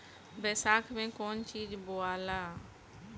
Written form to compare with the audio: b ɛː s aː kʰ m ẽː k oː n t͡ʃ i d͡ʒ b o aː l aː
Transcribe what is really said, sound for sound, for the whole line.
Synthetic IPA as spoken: b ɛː s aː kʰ m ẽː k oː n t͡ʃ iː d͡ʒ b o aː l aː